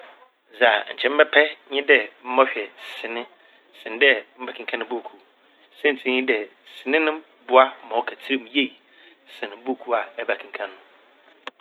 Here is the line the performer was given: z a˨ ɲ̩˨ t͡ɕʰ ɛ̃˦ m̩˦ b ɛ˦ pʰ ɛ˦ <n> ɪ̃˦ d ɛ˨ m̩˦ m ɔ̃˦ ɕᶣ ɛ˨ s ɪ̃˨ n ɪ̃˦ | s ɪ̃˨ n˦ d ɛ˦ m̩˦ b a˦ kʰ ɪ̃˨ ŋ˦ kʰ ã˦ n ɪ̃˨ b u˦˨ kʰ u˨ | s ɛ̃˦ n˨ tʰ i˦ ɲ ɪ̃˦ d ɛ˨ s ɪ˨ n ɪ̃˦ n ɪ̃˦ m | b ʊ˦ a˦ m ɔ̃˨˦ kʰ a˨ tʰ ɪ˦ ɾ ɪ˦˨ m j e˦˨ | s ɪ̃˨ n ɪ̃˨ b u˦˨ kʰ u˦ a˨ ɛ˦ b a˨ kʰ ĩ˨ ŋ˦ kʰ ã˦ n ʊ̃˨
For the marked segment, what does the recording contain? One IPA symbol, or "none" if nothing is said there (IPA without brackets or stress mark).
ɲ